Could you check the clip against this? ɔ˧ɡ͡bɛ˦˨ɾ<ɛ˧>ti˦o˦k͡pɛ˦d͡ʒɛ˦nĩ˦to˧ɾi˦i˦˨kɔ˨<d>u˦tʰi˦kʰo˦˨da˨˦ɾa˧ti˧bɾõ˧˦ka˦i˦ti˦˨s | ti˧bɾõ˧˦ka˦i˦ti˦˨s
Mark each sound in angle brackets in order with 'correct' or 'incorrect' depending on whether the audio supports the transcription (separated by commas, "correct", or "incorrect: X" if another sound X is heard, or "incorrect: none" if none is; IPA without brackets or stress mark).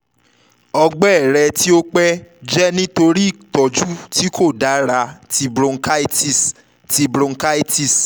correct, incorrect: d͡ʒ